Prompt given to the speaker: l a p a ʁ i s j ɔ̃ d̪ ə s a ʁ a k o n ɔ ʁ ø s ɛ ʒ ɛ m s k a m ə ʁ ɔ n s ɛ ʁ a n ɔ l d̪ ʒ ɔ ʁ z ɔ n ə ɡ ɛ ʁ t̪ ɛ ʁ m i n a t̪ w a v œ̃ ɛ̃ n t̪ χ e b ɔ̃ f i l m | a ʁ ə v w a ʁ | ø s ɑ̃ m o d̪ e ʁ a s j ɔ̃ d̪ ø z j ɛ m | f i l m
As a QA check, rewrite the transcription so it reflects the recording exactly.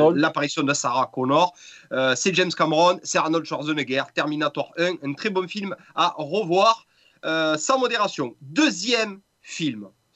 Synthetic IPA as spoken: l a p a ʁ i s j ɔ̃ d̪ ə s a ʁ a k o n ɔ ʁ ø s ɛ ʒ ɛ m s k a m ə ʁ ɔ n s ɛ ʁ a n ɔ l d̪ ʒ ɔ ʁ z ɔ n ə ɡ ɛ ʁ t̪ ɛ ʁ m i n a t̪ w a ʁ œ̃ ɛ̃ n t̪ χ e b ɔ̃ f i l m | a ʁ ə v w a ʁ | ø s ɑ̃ m o d̪ e ʁ a s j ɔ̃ d̪ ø z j ɛ m | f i l m